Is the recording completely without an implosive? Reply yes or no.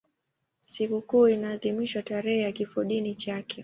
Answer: no